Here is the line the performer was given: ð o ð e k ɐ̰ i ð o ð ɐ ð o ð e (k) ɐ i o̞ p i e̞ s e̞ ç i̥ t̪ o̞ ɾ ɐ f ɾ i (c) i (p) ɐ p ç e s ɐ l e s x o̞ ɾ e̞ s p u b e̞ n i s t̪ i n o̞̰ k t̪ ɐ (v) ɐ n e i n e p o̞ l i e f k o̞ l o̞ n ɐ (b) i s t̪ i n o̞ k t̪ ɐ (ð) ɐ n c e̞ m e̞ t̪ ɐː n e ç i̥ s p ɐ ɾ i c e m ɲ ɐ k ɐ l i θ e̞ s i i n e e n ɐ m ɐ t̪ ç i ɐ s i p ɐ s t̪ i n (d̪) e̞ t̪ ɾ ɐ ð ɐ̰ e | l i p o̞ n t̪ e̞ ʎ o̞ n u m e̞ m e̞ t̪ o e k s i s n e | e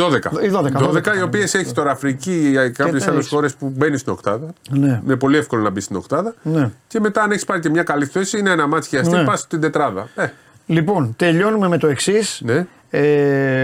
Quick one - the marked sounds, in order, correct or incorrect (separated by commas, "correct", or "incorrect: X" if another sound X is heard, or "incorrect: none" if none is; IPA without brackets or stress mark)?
correct, correct, incorrect: k, incorrect: ð, correct, correct, correct